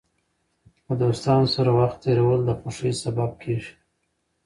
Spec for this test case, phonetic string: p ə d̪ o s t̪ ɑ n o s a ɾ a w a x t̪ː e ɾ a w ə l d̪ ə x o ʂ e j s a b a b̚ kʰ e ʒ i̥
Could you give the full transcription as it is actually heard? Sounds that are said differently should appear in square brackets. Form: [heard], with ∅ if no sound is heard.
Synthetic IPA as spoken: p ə d̪ o s t̪ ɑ n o s a ɾ a w a x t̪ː e ɾ a w ə l d̪ ə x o ʂ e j s a b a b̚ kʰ e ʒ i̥

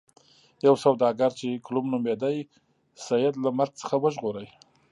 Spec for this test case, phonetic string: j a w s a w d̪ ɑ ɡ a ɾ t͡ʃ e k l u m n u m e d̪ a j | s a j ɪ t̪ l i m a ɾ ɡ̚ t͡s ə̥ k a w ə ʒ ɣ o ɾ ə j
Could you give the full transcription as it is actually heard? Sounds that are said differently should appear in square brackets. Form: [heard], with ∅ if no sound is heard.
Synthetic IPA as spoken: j a w s a w d̪ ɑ ɡ a ɾ t͡ʃ e k l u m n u m e d̪ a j | s a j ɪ [d̪] l [a] m a ɾ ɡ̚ t͡s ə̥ [x] a w ə ʒ ɣ o ɾ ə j

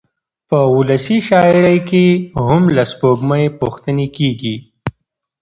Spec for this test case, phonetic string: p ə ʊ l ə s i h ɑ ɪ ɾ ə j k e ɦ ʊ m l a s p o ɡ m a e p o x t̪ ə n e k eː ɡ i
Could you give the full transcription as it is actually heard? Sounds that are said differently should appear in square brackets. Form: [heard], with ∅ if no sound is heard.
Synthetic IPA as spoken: p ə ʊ l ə s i [ʃ] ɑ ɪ ɾ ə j k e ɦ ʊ m l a s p o ɡ m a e p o x t̪ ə n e k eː ɡ i

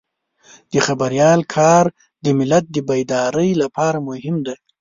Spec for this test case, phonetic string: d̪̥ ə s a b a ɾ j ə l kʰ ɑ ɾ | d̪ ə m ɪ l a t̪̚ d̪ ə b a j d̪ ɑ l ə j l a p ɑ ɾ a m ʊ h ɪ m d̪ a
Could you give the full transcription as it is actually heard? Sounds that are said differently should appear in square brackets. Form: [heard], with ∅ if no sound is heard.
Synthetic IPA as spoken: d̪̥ ə [x] a b a ɾ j [ɑ] l kʰ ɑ ɾ | d̪ ə m ɪ l a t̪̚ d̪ ə b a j d̪ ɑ [ɾ] ə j l a p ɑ ɾ a m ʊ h ɪ m d̪ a

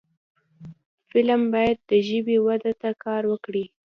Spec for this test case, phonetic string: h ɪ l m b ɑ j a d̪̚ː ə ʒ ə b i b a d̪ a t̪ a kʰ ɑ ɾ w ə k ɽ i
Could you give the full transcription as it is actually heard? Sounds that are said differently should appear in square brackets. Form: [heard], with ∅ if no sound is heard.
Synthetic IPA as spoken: [f] ɪ l m b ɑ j a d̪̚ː ə ʒ ə b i [w] a d̪ a t̪ a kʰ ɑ ɾ w ə k ɽ i

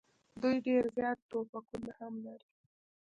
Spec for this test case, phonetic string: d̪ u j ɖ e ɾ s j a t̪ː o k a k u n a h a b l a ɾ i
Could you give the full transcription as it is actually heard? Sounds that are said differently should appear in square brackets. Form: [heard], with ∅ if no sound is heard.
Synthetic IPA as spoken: d̪ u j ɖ e ɾ [z] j [ɑ] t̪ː o [p] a k u n a h a [m] l a ɾ i

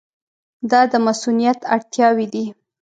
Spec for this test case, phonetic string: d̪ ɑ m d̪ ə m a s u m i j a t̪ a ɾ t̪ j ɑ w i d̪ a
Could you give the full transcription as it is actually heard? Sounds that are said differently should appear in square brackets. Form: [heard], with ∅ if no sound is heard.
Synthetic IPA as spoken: d̪ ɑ [∅] d̪ ə m a s u [n] i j a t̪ a [ɽ] t̪ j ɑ w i d̪ [i]

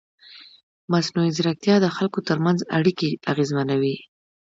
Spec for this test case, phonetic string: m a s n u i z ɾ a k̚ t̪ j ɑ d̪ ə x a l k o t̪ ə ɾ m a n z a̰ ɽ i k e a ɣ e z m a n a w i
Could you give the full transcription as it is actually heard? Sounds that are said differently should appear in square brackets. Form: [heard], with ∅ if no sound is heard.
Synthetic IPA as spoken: m a s n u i z ɾ a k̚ t̪ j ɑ d̪ ə x a l k o t̪ ə ɾ m a n z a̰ ɽ i k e a ɣ e z m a n a w i

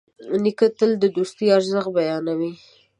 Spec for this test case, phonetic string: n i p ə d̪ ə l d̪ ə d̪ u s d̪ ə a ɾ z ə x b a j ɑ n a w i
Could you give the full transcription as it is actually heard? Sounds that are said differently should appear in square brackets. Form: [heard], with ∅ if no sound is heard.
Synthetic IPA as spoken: n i [k] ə [t̪] ə l d̪ ə d̪ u s [t̪] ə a ɾ z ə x b a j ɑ n a w i

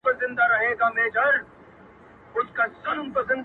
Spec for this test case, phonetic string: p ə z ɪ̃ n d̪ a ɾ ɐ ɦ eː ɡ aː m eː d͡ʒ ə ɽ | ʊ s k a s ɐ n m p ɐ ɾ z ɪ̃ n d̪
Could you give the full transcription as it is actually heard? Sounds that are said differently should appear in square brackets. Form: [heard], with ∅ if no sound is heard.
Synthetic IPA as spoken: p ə z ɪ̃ n d̪ a ɾ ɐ ɦ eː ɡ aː m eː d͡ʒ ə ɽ | ʊ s k a s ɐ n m p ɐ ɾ z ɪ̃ n d̪

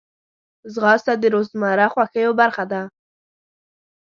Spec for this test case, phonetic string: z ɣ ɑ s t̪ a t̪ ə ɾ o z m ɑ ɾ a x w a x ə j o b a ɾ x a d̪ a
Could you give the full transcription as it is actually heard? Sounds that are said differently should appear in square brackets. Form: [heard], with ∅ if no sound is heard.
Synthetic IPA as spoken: z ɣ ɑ s t̪ a [d̪] ə ɾ o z m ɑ ɾ a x w a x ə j o b a ɾ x a d̪ a

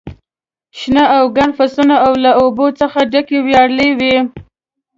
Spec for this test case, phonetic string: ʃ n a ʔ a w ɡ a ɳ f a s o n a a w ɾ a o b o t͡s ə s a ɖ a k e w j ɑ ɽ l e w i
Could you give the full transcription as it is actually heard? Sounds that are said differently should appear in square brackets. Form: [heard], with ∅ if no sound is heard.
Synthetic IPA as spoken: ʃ n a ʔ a w ɡ a ɳ f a s [u] n a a w [l] a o b o t͡s ə [x] a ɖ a k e w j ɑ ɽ l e w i

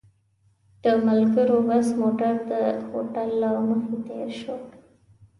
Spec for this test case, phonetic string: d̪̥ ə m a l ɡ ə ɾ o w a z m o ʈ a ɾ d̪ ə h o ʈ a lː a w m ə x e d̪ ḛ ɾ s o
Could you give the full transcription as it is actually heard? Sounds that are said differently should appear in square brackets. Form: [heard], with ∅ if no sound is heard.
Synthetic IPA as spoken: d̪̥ ə m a l ɡ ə ɾ o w a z m o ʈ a ɾ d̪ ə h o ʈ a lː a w m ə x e [t̪] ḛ ɾ [ʃ] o

